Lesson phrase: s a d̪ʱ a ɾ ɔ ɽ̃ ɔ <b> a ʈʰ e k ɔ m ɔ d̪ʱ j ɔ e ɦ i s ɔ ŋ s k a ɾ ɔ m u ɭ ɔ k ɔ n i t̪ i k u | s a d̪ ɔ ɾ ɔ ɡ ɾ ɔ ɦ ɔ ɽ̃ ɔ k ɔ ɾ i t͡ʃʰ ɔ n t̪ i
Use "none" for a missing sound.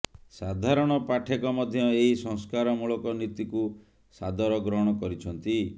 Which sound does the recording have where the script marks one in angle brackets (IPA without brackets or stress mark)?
p